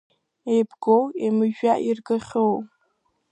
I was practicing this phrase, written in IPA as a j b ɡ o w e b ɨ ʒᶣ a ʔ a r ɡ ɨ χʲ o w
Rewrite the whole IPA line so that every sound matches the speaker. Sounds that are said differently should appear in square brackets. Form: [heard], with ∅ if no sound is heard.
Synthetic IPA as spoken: [e] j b ɡ o w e [m] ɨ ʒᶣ a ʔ [i] r ɡ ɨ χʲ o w